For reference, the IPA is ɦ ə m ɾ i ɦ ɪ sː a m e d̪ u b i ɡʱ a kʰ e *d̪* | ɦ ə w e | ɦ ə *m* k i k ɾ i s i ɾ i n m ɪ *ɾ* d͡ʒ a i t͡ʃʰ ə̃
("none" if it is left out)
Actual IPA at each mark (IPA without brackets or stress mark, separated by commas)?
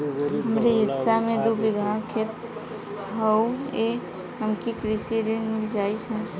t̪, m, l